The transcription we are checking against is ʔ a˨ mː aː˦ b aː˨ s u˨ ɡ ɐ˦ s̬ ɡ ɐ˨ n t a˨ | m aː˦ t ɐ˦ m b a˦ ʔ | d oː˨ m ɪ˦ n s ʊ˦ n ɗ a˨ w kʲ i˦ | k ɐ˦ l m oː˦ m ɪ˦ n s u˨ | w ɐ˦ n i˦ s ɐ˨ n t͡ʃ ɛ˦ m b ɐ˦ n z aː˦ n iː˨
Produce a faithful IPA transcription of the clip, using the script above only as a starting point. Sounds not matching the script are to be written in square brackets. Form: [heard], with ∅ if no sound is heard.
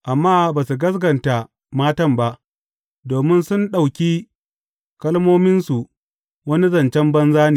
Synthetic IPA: ʔ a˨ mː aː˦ b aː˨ s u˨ ɡ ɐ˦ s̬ ɡ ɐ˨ n t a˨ | m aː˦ t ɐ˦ m b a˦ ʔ | d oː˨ m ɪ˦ n s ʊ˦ n ɗ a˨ w kʲ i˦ | k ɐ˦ l m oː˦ m ɪ˦ n s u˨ | w ɐ˦ n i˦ [z] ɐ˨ n t͡ʃ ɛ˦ m b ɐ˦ n z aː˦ n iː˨